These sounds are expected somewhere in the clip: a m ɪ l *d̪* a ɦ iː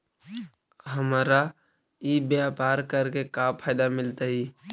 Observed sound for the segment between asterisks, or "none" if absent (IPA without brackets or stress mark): t̪